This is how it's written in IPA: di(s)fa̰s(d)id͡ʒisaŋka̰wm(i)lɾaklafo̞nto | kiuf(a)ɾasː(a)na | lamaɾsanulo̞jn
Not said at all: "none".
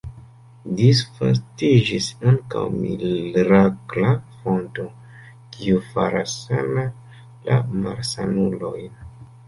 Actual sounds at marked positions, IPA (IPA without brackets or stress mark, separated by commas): s, t, i, a, a